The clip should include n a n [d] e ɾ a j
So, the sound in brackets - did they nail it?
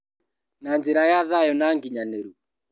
no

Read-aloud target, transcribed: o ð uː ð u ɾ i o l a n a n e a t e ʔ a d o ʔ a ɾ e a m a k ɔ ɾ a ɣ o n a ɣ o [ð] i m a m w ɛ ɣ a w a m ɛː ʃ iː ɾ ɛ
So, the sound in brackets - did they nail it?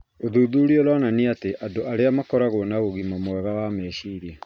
no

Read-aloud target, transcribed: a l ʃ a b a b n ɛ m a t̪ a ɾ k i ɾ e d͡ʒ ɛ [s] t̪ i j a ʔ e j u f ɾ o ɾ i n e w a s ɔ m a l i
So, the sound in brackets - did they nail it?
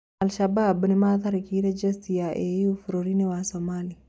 yes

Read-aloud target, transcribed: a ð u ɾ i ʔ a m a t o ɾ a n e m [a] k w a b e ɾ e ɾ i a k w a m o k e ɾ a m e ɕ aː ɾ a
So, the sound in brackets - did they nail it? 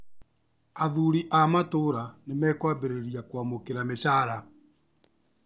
no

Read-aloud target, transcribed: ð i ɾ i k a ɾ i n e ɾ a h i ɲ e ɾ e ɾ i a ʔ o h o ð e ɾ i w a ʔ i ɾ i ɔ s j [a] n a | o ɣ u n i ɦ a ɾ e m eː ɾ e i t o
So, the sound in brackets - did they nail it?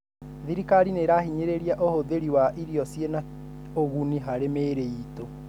no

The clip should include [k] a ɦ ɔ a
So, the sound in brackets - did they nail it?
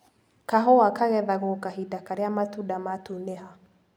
yes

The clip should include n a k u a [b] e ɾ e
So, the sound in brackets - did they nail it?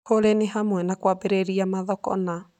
yes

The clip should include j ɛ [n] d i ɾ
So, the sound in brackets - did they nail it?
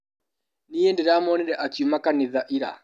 yes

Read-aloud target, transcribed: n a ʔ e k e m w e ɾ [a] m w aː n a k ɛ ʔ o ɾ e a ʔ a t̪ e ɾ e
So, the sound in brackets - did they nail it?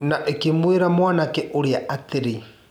yes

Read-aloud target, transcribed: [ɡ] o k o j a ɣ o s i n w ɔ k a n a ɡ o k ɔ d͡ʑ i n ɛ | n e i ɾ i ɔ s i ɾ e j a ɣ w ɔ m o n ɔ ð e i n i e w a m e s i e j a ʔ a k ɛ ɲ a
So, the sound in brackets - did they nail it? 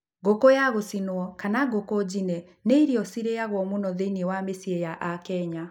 yes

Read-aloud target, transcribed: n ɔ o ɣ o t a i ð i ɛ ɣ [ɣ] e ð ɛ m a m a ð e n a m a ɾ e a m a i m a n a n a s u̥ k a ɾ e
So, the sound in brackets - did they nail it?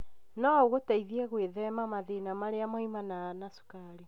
no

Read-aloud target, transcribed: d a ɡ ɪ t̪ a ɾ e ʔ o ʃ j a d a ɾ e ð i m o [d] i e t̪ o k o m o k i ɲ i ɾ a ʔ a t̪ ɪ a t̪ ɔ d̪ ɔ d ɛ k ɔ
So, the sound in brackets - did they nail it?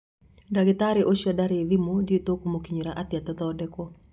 yes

